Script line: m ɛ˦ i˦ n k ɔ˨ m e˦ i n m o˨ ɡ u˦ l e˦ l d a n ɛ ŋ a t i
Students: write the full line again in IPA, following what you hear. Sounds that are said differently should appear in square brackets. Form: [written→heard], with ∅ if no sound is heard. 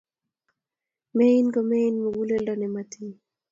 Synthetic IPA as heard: m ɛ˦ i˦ n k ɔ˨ m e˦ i n m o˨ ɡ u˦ l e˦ l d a n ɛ [ŋ→m] a t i